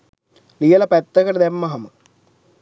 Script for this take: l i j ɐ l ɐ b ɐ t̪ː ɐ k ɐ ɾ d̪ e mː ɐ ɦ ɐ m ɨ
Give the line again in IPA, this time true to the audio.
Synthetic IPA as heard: l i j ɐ l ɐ p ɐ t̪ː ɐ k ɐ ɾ d̪ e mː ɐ ɦ ɐ m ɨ